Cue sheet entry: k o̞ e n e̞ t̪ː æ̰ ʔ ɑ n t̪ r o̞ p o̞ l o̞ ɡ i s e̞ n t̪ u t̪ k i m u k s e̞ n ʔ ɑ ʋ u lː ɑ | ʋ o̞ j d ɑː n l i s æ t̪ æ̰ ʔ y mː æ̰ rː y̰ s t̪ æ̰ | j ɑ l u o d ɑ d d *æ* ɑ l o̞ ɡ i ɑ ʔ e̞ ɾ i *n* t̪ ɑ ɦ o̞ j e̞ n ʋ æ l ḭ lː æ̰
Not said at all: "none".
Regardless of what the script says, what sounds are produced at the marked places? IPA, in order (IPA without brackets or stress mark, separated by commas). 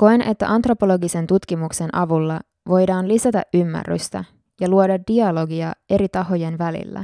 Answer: i, none